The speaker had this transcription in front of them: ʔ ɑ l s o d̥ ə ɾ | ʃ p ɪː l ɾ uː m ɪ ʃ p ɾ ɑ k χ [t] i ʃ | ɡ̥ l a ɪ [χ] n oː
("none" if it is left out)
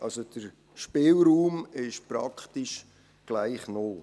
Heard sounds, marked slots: t, χ

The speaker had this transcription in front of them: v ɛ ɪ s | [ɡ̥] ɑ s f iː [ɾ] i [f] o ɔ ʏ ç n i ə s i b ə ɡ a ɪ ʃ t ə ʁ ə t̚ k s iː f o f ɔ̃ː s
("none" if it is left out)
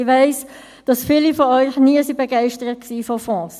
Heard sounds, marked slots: d̥, l, f

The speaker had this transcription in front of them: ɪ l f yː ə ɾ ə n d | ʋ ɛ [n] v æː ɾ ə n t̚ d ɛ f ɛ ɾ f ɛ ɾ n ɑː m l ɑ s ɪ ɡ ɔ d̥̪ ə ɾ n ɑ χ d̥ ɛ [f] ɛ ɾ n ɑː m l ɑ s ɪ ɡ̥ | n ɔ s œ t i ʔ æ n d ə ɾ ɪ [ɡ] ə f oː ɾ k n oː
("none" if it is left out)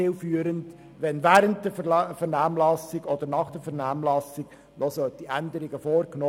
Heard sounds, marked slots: n, f, ɡ

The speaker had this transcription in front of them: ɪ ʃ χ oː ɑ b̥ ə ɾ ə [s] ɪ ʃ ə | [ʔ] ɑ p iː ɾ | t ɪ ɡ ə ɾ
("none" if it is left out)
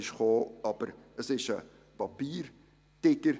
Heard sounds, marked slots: s, p

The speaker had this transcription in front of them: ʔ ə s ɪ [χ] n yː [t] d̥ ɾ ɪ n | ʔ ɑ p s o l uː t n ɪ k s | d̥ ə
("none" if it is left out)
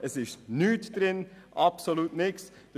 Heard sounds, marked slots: ʃ, t

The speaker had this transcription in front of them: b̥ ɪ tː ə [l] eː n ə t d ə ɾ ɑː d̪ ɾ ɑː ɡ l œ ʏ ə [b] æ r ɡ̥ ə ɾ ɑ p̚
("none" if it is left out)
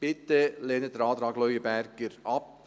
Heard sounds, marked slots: l, b

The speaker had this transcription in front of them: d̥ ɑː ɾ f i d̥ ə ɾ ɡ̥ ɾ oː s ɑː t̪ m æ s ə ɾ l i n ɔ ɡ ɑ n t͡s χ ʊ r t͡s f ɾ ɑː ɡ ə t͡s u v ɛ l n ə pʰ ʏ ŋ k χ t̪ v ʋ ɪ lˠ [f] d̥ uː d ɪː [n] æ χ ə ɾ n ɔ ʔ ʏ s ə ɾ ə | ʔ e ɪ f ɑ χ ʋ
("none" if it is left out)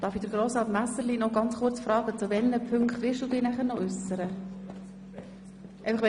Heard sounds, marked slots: ʃ, n

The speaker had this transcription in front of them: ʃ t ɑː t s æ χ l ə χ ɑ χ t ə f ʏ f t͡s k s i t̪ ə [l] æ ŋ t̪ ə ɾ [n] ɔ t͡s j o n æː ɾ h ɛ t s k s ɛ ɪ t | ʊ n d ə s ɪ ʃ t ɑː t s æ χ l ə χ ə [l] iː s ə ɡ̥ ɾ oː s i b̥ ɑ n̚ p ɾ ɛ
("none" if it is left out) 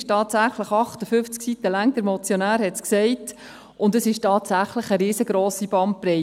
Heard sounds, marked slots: l, m, ɾ

